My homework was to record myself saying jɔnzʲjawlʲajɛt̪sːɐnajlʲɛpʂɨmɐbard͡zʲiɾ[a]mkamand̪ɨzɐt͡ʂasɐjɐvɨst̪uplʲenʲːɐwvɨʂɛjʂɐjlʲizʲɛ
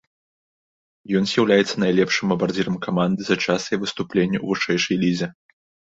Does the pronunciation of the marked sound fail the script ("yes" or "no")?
yes